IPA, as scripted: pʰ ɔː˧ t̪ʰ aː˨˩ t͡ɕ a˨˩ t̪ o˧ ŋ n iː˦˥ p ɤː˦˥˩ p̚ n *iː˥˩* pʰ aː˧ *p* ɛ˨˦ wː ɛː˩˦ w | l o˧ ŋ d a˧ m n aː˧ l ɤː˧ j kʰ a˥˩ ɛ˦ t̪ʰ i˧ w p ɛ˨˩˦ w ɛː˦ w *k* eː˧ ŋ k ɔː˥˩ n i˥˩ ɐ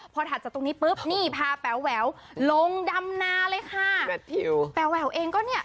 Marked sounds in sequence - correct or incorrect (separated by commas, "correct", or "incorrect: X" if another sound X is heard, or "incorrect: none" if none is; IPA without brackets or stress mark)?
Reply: correct, correct, incorrect: ʔ